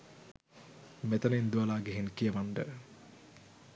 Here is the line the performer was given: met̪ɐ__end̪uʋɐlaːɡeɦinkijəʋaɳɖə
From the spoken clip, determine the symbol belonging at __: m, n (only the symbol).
n